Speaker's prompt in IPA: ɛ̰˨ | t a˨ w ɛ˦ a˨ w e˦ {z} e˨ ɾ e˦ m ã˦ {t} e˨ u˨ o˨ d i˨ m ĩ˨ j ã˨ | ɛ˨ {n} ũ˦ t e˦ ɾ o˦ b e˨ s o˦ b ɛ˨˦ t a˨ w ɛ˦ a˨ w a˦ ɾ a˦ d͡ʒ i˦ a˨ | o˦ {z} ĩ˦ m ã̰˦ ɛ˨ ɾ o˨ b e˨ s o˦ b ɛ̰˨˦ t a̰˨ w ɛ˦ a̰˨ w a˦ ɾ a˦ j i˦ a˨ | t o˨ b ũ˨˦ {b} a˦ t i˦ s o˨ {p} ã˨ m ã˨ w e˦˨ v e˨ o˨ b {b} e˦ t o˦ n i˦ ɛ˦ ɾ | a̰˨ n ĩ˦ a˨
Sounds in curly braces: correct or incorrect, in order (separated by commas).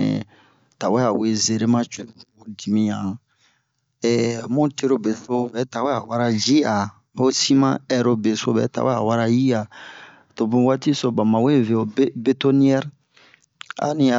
correct, incorrect, incorrect, incorrect, incorrect, incorrect, correct